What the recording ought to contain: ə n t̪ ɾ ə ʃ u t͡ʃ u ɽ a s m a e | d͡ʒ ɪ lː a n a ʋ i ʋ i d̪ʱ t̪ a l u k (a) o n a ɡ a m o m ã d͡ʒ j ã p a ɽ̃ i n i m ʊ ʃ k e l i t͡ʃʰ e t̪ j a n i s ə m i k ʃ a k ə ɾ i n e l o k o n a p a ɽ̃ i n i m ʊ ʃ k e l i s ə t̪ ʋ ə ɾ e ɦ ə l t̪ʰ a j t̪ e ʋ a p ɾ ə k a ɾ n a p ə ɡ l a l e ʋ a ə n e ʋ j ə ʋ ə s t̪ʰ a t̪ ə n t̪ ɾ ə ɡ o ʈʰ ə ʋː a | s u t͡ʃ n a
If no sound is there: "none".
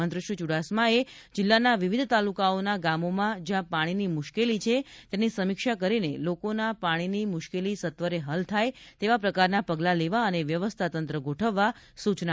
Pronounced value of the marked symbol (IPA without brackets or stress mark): a